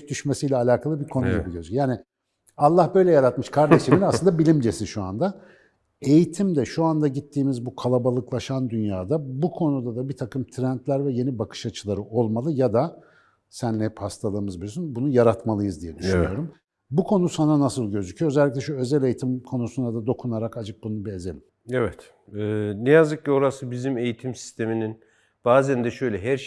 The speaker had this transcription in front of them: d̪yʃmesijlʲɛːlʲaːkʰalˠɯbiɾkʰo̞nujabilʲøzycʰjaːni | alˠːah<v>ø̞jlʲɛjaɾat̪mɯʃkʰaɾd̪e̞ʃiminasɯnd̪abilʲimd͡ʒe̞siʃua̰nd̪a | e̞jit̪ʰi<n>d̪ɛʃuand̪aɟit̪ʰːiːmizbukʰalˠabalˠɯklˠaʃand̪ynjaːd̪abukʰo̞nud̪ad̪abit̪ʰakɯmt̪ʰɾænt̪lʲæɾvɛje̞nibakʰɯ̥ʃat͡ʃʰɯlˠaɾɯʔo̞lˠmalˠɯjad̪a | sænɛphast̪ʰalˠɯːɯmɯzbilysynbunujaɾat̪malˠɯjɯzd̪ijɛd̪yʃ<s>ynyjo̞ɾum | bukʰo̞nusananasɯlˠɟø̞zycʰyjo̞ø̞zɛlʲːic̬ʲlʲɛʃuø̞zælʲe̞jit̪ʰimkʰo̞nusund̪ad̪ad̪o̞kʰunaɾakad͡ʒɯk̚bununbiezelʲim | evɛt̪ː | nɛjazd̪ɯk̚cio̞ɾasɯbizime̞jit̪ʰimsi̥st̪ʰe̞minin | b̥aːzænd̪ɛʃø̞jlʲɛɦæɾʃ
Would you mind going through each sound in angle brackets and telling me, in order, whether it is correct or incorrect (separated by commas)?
incorrect, incorrect, incorrect